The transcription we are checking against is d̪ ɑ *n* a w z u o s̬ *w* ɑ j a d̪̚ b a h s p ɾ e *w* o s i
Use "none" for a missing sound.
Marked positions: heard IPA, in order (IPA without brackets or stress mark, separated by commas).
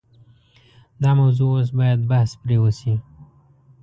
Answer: m, b, w